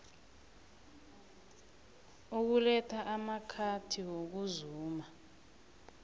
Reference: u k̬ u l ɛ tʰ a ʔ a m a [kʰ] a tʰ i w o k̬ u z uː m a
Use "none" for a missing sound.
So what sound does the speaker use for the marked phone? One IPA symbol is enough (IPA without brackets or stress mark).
kʰ